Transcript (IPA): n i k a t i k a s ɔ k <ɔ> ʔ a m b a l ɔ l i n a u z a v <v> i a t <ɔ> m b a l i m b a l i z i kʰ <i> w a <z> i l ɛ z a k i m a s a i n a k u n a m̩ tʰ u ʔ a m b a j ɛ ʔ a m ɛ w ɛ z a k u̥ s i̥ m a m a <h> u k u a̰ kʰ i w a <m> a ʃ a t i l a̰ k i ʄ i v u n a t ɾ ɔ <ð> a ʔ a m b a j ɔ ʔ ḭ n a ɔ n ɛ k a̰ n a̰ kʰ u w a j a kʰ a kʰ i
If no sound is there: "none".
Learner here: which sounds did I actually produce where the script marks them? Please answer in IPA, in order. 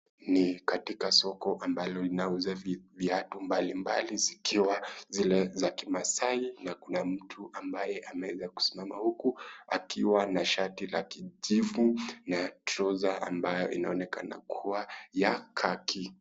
ɔ, v, u, i, z, h, n, z

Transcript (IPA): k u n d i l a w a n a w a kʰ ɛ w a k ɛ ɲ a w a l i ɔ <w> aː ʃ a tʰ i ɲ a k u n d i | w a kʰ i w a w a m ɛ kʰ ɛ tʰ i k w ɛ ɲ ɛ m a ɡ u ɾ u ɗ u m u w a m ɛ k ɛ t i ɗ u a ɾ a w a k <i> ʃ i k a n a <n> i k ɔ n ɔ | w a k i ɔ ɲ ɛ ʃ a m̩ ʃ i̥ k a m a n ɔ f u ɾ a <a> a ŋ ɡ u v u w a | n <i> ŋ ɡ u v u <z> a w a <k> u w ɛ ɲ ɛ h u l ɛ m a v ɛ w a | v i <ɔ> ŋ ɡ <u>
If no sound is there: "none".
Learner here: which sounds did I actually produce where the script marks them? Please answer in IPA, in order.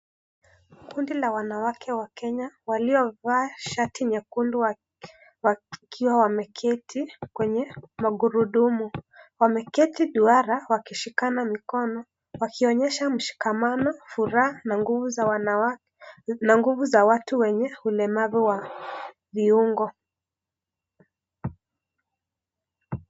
v, i, m, a, a, z, t, u, ɔ

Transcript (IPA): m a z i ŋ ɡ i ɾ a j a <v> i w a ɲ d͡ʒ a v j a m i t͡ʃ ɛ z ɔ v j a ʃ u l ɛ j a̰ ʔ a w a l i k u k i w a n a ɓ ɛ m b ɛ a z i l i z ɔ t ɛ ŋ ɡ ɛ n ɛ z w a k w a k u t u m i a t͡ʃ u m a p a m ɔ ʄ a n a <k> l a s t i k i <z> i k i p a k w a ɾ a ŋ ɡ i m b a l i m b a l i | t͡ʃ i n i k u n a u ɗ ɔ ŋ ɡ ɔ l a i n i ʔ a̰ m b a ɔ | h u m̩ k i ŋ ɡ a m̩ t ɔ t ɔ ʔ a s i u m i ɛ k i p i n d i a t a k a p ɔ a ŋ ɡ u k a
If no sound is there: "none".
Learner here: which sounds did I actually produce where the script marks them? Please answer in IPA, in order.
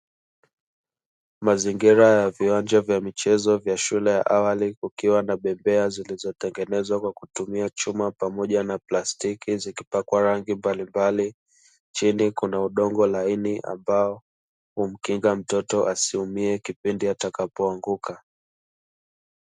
v, p, z

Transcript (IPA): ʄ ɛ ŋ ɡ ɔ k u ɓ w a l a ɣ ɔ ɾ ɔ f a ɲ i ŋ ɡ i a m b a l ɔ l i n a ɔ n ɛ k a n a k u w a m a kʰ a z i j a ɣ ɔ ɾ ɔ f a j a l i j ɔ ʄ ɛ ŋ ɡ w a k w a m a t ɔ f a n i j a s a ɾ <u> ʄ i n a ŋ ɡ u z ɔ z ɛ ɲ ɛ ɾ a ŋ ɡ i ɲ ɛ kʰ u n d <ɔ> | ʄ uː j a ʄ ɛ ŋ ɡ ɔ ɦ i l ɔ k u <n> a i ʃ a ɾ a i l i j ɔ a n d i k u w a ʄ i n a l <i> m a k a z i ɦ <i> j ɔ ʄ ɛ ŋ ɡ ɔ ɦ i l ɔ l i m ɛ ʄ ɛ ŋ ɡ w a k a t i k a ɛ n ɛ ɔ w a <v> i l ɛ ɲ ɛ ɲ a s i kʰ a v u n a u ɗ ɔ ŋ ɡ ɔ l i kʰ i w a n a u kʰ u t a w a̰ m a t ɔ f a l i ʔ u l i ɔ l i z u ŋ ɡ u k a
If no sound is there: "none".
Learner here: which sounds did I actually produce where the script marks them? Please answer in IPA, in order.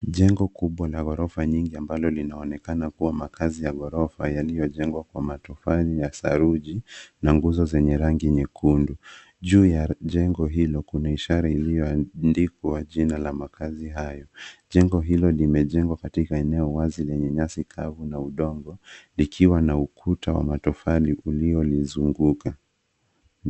u, u, n, a, a, z

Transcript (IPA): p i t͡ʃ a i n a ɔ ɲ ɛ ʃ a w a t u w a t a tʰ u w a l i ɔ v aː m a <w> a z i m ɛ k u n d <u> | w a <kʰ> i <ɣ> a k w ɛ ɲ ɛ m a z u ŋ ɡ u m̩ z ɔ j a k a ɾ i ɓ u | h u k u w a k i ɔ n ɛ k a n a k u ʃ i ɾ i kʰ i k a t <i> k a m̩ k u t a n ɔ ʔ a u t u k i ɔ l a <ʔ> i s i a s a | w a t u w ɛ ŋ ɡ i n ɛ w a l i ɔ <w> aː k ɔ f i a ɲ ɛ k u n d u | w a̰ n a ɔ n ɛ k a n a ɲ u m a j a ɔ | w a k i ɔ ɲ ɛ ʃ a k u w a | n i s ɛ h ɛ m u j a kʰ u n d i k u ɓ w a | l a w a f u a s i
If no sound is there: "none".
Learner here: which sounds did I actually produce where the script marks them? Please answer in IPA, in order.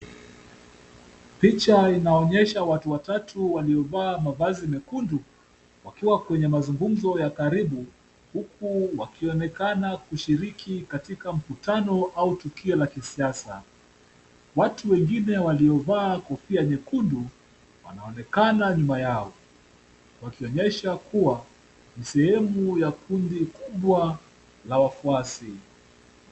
v, u, k, w, i, k, v

